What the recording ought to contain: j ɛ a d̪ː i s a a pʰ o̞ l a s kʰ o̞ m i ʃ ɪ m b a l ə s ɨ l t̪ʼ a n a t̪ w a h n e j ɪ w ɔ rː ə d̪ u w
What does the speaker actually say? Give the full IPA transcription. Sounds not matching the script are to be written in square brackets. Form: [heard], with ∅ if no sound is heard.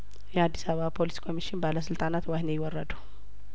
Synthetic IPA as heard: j ɛ a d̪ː i s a a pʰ o̞ l [i] s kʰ o̞ m i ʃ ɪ [n] b a l ə s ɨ l t̪ʼ a n a t̪ w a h n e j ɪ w ɔ rː ə d̪ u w